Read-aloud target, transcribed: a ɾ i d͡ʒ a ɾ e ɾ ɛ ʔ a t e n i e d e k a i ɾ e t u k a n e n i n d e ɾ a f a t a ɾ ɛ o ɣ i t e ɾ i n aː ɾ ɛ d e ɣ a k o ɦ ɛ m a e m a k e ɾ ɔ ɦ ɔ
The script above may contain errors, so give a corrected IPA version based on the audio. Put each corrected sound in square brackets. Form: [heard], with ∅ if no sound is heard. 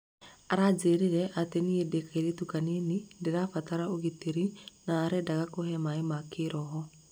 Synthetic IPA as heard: a ɾ [a] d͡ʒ [e] ɾ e ɾ ɛ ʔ a t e n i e d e k a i ɾ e t u k a n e n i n d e ɾ a f a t a ɾ [a] o ɣ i t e ɾ i n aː ɾ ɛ d [a] ɣ a k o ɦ ɛ m a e m a k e ɾ ɔ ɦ ɔ

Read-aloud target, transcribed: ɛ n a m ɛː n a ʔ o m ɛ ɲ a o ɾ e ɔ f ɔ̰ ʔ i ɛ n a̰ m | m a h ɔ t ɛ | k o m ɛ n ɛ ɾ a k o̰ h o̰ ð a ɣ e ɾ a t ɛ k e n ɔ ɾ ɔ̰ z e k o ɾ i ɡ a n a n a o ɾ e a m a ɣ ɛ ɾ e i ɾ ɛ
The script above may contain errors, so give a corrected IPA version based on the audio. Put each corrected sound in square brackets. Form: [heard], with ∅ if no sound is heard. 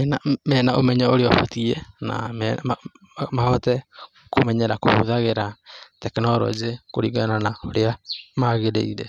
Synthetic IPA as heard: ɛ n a m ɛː n a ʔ o m ɛ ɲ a o ɾ e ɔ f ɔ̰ [t] i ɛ n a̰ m | m a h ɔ t ɛ | k o m ɛ [ɲ] ɛ ɾ a k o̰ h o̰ ð a ɣ e ɾ a t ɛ k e n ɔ ɾ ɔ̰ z e k o ɾ i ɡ a n a n a o ɾ e a m a ɣ [e] ɾ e i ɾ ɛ

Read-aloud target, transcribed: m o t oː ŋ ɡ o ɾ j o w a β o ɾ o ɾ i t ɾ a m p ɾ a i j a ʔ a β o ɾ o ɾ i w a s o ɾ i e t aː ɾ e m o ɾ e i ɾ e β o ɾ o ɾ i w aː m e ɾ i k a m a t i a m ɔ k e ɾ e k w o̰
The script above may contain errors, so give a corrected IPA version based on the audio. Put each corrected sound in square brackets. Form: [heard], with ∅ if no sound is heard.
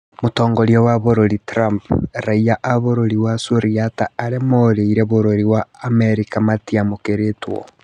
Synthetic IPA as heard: m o t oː ŋ ɡ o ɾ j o w a β o ɾ o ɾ i t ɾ a m p ɾ a i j a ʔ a β o ɾ o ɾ i w a s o ɾ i [a] t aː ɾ e m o ɾ e i ɾ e β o ɾ o ɾ i w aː m e ɾ i k a m a t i a m [o] k e ɾ e [t] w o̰

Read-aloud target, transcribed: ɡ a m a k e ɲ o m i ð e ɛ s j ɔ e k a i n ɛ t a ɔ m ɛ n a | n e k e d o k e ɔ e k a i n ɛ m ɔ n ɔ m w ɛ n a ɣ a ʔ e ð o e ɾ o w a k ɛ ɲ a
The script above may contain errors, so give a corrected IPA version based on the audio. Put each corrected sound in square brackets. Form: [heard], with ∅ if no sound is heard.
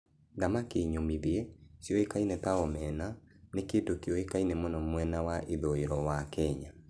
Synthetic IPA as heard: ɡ a m a k e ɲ o m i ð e ɛ s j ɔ e k a i n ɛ t a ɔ m ɛ n a | n e k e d o k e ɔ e k a i n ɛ m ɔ n ɔ m w ɛ n a [w] a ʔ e ð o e ɾ [ɔ] w a k ɛ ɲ a

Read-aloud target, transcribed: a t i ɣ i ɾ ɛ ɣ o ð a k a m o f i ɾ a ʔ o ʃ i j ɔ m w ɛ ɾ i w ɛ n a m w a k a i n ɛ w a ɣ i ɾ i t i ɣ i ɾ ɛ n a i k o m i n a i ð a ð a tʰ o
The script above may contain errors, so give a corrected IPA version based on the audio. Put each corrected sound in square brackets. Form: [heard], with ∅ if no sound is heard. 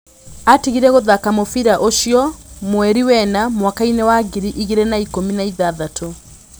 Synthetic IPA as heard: a t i ɣ i ɾ ɛ ɣ o ð a k a m o f i ɾ a ʔ o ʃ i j ɔ m w ɛ ɾ i w ɛ n a m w a k a i n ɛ w a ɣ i ɾ i [ʔ] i ɣ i ɾ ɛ n a i k o m i n a i ð a ð a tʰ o

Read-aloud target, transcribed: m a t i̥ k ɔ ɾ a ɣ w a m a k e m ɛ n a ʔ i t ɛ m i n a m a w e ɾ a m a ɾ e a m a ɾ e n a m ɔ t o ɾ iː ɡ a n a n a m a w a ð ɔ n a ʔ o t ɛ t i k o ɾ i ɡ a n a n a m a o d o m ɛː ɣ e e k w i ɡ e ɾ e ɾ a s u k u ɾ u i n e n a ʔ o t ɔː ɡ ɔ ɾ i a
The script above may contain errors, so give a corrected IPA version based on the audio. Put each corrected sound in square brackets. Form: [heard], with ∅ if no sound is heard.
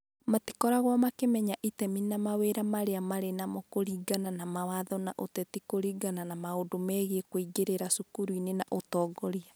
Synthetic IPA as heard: m a t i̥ k ɔ ɾ a ɣ w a m a k e m ɛ [ɲ] a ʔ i t ɛ m i n a m a w e ɾ a m a ɾ e a m a ɾ e n a m ɔ [k] o ɾ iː ɡ a n a n a m a w a ð ɔ n a ʔ o t ɛ t i k o ɾ i ɡ a n a n a m a o d o m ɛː ɣ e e k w i ɡ e ɾ e ɾ a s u k u ɾ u i n e n a ʔ o t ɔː ɡ ɔ ɾ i a

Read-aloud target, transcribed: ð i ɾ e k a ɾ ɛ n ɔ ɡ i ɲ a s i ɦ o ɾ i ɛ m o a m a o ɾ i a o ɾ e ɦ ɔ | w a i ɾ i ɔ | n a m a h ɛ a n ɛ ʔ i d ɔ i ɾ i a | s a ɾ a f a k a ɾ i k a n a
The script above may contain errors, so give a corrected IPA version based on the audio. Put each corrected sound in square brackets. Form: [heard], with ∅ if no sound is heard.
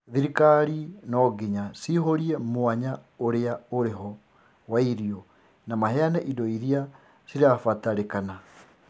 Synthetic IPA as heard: ð i ɾ [i] k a ɾ [i] n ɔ ɡ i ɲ a s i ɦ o ɾ i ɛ m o a [ɲ] a o ɾ [e] a o ɾ e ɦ ɔ | w a i ɾ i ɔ | n a m a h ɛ a n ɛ ʔ i d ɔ i ɾ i a | s [i] ɾ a f a [t] a ɾ [e] k a n a

